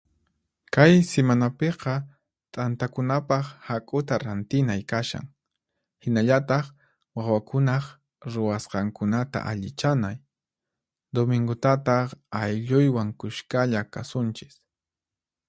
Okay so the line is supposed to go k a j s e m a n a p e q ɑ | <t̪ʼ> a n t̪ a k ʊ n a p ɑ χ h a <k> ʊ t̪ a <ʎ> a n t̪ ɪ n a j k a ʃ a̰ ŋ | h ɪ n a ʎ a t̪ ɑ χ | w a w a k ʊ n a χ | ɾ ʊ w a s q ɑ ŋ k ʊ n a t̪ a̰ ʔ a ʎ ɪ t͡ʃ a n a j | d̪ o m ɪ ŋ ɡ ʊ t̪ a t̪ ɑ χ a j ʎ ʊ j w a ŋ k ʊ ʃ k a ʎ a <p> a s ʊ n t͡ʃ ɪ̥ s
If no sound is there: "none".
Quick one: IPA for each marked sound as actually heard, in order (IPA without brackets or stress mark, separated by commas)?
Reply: t̪ʼ, kʼ, ɾ, k